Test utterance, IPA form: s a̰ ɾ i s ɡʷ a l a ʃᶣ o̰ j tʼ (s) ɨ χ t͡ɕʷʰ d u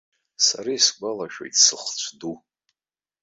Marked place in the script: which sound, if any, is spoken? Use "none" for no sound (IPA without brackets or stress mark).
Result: s